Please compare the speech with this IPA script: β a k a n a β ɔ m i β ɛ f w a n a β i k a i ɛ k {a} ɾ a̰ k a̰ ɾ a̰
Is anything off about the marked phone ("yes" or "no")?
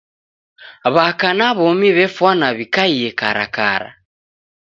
no